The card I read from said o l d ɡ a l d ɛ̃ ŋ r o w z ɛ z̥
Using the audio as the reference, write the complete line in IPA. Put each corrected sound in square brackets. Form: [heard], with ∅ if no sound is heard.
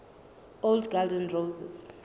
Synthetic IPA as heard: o l d ɡ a l d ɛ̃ [n] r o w z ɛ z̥